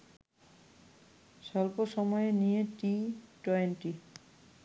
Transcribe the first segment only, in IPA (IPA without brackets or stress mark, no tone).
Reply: s